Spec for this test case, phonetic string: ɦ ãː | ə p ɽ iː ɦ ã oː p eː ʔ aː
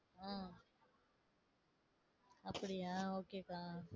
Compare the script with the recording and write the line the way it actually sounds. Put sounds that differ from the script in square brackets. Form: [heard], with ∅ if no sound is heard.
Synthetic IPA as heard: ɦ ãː | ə p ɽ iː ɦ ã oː [k] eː [k] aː